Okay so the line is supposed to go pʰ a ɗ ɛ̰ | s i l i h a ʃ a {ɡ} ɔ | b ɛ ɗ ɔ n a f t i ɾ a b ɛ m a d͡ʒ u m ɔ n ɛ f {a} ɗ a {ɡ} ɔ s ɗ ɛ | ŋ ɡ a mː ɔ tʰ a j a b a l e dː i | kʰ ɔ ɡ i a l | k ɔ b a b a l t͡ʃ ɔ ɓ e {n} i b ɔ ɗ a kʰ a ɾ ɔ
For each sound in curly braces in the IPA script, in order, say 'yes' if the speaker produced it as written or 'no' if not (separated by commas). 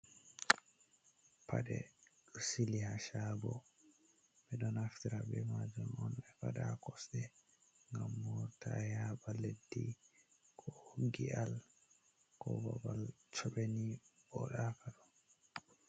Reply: no, yes, no, yes